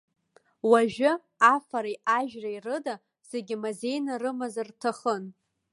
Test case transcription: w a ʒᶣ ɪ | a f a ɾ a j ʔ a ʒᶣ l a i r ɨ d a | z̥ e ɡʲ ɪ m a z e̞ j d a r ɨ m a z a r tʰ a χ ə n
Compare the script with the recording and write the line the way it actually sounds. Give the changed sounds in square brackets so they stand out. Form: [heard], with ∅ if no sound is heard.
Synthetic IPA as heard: w a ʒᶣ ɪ | a f a ɾ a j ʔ a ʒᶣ [r] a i r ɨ d a | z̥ e ɡʲ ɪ m a z e̞ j [n] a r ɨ m a z a r tʰ a χ ə n